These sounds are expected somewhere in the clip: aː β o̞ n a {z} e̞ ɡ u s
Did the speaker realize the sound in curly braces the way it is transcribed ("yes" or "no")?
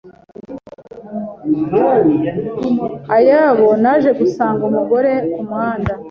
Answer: no